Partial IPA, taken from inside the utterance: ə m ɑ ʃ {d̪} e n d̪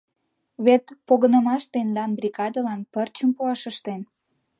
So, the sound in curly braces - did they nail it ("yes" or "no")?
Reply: no